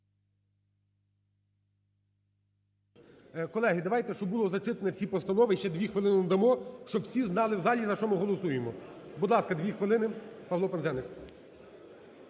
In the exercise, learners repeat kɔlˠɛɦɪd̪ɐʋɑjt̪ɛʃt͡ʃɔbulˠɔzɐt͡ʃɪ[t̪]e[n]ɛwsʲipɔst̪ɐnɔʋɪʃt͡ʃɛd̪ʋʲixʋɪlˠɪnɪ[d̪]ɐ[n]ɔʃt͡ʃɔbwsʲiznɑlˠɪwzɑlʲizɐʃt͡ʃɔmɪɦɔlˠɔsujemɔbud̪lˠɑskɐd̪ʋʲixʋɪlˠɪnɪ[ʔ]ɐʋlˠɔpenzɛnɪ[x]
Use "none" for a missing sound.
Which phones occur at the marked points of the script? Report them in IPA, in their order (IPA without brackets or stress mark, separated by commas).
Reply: t̪, n, d̪, m, p, k